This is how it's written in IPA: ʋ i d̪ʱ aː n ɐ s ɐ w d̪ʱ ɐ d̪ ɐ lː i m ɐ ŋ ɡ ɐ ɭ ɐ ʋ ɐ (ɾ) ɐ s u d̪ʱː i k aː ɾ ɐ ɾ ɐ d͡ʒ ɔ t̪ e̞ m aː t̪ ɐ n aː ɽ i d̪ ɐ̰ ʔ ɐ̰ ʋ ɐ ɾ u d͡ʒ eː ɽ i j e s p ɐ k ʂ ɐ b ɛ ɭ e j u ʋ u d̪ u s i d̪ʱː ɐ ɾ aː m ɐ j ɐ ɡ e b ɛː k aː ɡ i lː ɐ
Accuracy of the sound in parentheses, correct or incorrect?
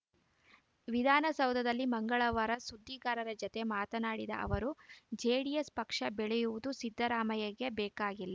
correct